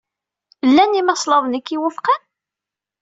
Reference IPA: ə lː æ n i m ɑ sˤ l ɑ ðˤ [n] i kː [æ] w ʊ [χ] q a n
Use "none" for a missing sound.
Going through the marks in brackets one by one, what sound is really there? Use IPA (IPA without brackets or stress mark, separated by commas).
n, i, f